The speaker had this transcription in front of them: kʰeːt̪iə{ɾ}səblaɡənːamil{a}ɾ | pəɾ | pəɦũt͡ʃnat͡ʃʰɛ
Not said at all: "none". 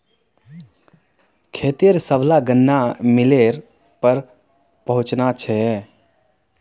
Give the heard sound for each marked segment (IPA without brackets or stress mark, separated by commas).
ɾ, e